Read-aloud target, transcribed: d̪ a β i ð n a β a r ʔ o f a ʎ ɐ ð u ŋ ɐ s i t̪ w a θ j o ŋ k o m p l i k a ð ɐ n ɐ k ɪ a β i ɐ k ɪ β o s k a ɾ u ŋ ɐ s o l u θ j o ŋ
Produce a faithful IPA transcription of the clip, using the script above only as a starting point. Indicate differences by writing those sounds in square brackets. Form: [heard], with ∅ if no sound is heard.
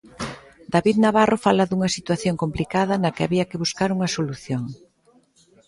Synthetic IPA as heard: d̪ a β i ð n a β a r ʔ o f a [l] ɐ ð u ŋ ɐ s i t̪ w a θ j o ŋ k o m p l i k a ð ɐ n ɐ k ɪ a β i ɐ k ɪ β [u] s k a ɾ u ŋ ɐ s o l u θ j o ŋ